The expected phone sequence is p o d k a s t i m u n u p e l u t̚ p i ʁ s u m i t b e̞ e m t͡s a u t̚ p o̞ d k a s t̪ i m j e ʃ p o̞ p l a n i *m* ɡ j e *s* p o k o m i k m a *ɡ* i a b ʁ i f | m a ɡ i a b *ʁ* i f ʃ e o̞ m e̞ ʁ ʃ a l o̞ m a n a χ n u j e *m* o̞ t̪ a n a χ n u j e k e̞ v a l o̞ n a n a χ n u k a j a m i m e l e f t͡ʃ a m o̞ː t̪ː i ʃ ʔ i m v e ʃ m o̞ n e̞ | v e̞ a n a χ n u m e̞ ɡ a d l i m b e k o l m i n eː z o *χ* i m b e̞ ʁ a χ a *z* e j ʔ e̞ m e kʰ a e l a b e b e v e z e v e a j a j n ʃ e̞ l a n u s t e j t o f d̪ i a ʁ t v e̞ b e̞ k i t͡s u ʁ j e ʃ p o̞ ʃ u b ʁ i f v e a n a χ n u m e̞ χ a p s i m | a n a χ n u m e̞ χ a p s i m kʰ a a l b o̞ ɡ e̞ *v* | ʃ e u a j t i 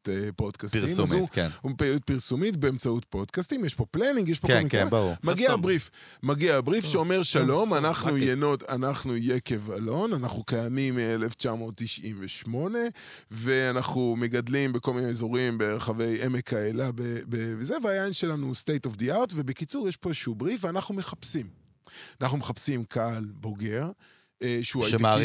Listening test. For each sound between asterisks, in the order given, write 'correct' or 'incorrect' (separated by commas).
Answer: incorrect, incorrect, correct, correct, incorrect, incorrect, incorrect, incorrect